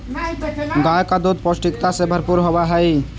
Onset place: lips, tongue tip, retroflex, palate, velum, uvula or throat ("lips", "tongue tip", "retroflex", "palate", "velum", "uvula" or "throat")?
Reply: velum